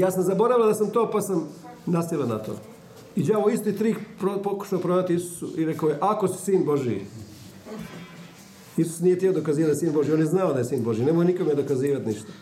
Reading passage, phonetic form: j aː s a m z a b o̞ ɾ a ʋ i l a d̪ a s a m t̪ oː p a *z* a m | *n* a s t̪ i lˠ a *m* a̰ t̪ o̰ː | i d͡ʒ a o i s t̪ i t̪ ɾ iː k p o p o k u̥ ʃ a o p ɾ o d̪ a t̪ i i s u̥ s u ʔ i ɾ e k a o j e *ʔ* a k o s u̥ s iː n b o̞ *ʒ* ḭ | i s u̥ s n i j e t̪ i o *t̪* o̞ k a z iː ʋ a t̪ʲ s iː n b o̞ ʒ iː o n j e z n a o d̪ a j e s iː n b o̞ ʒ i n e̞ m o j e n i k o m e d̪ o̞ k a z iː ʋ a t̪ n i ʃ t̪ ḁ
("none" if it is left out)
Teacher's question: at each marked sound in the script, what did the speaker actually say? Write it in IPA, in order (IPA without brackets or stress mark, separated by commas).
s, n, n, ʔ, ʒ, d̪